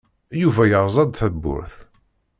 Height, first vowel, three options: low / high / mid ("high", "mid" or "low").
high